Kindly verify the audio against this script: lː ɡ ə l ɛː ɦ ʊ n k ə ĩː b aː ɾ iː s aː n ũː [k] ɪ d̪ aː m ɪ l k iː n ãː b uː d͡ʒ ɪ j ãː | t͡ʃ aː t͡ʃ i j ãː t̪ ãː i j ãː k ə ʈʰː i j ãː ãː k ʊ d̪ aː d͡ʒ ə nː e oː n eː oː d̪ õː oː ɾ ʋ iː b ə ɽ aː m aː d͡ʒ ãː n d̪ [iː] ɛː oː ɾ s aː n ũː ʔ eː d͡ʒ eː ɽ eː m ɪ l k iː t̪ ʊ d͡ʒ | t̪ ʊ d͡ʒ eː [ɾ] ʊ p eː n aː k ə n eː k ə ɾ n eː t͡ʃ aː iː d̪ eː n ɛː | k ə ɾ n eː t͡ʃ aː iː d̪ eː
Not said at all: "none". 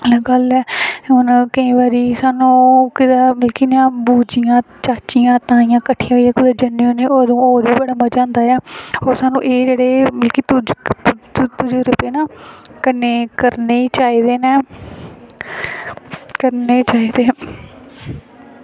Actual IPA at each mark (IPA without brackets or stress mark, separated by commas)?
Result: k, aː, ɾ